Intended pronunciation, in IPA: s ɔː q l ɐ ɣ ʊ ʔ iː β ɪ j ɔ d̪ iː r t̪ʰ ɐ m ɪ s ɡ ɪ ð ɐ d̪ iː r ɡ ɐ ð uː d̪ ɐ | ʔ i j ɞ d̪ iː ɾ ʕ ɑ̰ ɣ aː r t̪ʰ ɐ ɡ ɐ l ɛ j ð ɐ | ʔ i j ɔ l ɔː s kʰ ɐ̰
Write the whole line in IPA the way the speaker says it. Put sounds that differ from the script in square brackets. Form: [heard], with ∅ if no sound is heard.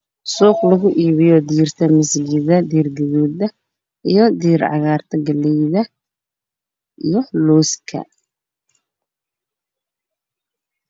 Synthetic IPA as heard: s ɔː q l ɐ ɣ ʊ ʔ iː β ɪ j ɔ d̪ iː r t̪ʰ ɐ m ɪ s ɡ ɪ ð ɐ d̪ iː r ɡ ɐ ð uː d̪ ɐ | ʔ i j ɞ d̪ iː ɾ ʕ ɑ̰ ɣ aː r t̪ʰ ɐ ɡ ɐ l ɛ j ð ɐ | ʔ i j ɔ l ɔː s kʰ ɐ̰